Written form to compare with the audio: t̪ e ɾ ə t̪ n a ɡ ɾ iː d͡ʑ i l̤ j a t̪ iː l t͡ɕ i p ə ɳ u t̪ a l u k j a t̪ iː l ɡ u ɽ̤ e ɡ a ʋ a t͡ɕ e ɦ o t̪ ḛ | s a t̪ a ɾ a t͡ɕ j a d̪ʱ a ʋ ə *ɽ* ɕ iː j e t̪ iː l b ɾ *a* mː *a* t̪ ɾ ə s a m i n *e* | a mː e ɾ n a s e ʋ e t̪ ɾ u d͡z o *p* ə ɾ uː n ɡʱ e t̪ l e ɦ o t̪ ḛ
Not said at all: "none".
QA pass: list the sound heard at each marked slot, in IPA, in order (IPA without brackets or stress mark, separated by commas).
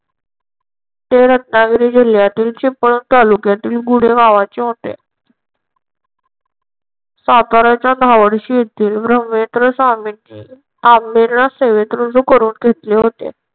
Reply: ɽ, ə, e, i, k